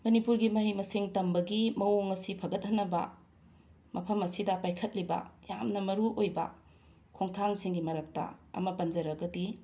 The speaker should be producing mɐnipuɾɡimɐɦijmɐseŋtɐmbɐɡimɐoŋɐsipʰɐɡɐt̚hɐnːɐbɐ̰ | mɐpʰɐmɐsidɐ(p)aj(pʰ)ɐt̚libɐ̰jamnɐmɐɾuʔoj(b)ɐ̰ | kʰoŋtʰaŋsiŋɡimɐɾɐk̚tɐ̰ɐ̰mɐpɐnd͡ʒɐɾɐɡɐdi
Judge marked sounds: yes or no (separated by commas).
yes, no, yes